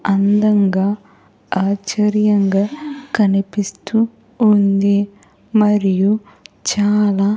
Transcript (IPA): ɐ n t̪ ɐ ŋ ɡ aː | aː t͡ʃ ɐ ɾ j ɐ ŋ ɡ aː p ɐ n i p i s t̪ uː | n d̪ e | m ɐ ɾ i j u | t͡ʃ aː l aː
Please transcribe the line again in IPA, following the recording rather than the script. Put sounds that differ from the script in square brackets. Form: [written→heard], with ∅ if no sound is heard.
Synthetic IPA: ɐ n [t̪→d̪] ɐ ŋ ɡ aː | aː t͡ʃ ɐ ɾ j ɐ ŋ ɡ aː [p→k] ɐ n i p i s t̪ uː | n d̪ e | m ɐ ɾ i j u | t͡ʃ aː l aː

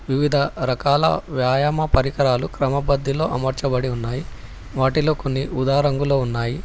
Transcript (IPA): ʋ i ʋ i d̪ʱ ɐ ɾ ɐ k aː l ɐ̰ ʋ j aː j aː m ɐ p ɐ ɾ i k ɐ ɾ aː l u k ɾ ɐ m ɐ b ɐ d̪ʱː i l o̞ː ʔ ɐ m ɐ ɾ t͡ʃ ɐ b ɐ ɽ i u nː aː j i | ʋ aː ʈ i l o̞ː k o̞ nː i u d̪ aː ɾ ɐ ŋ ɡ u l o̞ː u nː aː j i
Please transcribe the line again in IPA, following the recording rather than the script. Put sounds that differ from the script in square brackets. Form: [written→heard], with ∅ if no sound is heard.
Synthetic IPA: ʋ i ʋ i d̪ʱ ɐ ɾ ɐ k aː l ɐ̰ ʋ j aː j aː m ɐ p ɐ ɾ i k ɐ ɾ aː l u k ɾ ɐ m ɐ b ɐ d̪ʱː i l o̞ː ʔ ɐ m ɐ ɾ t͡ʃ ɐ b ɐ ɽ i u nː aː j i | ʋ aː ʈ i l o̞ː k o̞ nː i u d̪ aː ɾ ɐ ŋ ɡ u l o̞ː u nː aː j i

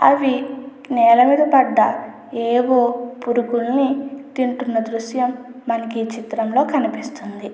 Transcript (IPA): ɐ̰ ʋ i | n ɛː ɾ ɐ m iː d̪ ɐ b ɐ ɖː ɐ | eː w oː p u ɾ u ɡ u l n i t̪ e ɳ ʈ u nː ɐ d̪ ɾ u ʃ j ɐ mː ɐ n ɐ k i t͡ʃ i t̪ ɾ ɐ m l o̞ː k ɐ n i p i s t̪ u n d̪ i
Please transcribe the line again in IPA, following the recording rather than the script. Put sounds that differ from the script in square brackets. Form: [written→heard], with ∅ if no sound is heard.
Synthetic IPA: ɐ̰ ʋ i | n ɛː [ɾ→l] ɐ m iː d̪ ɐ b ɐ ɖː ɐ | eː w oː p u ɾ u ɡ u l n i t̪ [e→i] ɳ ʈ u nː ɐ d̪ ɾ u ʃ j ɐ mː ɐ n ɐ k i t͡ʃ i t̪ ɾ ɐ m l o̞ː k ɐ n i p i s t̪ u n d̪ i

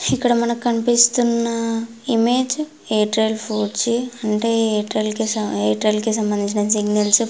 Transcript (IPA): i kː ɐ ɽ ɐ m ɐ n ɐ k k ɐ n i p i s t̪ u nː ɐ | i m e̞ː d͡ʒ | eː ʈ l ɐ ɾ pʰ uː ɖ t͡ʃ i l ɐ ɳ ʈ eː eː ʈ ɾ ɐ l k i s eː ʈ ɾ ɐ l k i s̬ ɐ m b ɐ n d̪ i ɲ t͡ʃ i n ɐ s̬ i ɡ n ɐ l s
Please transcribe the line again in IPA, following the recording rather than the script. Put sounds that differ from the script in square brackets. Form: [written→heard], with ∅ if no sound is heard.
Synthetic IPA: i kː ɐ ɽ ɐ m ɐ n ɐ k k ɐ n i p i s t̪ u nː ɐ | i m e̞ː d͡ʒ | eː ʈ [l→ɾ] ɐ [ɾ→l] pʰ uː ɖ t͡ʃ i [l→∅] ɐ ɳ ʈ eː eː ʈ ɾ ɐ l k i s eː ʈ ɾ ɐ l k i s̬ ɐ m b ɐ n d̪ i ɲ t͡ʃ i n ɐ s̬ i ɡ n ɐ l s

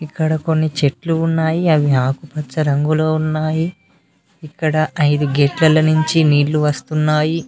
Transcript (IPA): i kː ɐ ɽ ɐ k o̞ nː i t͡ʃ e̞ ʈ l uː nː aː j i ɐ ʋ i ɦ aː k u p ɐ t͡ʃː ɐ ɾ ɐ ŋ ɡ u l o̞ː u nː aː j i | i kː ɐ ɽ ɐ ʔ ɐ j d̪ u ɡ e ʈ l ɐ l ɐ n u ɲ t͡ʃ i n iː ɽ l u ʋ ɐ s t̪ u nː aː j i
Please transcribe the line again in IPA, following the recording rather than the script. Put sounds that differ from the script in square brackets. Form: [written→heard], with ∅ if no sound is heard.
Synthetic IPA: i kː ɐ ɽ ɐ k o̞ nː i t͡ʃ e̞ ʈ l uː nː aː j i ɐ ʋ i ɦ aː k u p ɐ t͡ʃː ɐ ɾ ɐ ŋ ɡ u l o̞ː u nː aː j i | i kː ɐ ɽ ɐ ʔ ɐ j d̪ u ɡ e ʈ l ɐ l ɐ n u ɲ t͡ʃ i n iː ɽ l u ʋ ɐ s t̪ u nː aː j i

